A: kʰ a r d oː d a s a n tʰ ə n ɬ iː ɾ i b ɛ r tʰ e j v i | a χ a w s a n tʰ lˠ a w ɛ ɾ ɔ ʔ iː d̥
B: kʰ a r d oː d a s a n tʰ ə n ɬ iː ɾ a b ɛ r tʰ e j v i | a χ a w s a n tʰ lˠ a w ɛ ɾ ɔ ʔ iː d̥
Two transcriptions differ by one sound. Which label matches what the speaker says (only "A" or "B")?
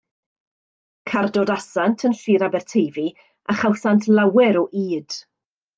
B